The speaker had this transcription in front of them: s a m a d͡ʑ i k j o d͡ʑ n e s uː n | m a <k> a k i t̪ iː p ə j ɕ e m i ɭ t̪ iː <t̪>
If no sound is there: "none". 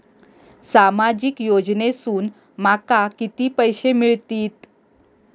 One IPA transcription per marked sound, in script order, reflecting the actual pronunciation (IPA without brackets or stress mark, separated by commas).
k, t̪